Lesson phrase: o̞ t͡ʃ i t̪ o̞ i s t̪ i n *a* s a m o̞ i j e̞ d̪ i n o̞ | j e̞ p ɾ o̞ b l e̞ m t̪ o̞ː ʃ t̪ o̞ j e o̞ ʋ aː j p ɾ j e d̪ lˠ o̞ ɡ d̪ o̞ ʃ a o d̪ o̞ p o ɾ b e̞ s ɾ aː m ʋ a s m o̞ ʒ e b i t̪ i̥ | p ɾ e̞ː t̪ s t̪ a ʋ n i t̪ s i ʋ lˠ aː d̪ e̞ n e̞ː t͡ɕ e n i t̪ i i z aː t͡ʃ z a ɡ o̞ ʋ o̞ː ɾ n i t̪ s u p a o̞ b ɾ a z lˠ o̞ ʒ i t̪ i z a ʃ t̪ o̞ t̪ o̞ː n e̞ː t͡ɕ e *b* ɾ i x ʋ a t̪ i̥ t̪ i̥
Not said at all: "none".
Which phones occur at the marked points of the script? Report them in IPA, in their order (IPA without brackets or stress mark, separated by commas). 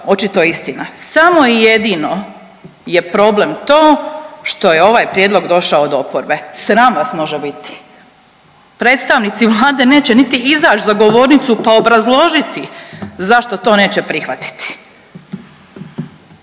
a, p